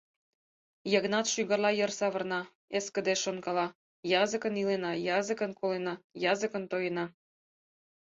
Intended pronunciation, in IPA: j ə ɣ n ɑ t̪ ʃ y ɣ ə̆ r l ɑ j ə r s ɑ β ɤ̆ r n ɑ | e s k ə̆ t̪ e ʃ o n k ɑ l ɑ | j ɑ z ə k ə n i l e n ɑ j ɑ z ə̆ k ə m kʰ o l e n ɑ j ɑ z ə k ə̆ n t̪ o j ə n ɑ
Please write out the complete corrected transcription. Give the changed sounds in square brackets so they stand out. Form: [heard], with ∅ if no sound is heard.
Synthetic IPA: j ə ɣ n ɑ t̪ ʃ y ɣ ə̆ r l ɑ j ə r s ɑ β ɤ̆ r n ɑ | e s k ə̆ [d̪] e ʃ o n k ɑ l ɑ | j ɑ z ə k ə n i l e n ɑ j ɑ z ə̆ k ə [n] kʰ o l e n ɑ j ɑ z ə k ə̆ n t̪ o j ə n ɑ